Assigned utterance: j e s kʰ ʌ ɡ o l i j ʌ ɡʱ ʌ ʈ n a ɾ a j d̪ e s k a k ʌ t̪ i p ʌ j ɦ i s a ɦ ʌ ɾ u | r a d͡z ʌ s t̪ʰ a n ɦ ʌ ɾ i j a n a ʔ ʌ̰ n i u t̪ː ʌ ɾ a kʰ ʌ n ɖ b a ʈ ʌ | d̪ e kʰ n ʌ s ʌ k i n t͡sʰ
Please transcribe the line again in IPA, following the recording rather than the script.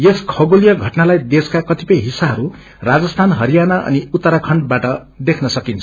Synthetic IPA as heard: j e s kʰ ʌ ɡ o l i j ʌ ɡʱ ʌ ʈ n a l a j d̪ e s k a k ʌ t̪ i p ʌ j ɦ i s a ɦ ʌ ɾ u | r a d͡z ʌ s t̪ʰ a n ɦ ʌ ɾ i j a n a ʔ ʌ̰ n i u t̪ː ʌ ɾ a kʰ ʌ ɳ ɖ b a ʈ ʌ | d̪ e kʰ n ʌ s ʌ k i n t͡sʰ